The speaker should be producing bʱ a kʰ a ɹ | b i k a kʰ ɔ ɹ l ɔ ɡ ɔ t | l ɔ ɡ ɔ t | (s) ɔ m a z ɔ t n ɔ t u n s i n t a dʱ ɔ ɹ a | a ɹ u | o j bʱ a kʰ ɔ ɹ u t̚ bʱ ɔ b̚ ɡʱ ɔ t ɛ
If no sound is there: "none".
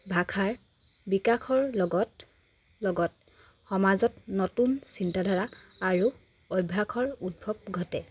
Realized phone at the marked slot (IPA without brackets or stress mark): x